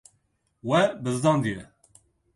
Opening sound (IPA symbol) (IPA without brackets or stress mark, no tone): w